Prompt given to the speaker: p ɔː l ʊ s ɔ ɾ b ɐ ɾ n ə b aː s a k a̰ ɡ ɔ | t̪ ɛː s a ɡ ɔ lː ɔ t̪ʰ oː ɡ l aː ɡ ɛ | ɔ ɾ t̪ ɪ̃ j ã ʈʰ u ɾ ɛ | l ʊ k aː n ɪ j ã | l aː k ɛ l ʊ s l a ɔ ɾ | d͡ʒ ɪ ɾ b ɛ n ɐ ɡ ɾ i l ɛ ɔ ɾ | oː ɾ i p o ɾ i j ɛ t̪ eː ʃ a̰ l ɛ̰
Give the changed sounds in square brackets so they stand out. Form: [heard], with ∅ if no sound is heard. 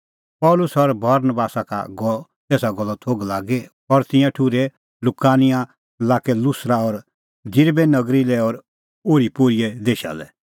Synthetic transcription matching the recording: p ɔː l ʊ s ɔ ɾ b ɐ ɾ n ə b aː s a k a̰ ɡ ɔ | t̪ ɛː s a ɡ ɔ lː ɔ t̪ʰ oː ɡ l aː ɡ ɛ | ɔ ɾ t̪ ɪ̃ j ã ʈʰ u ɾ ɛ | l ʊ k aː n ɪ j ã | l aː k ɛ l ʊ s [ɾ] a ɔ ɾ | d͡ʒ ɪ ɾ b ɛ n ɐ ɡ ɾ i l ɛ ɔ ɾ | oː ɾ i p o ɾ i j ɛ [d̪] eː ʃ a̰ l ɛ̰